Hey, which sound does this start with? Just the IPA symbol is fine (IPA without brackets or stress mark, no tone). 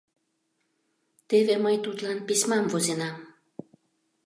t̪